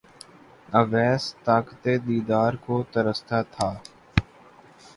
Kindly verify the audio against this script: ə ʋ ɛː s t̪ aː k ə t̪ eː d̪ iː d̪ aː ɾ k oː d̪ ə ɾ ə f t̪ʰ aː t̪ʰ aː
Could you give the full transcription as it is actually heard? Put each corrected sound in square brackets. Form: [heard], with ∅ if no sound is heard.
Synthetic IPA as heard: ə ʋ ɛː s t̪ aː k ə t̪ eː d̪ iː d̪ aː ɾ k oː [t̪] ə ɾ ə [s] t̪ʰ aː t̪ʰ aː